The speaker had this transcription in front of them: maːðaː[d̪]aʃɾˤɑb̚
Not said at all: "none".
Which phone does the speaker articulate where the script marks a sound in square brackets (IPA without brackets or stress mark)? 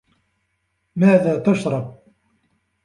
t̪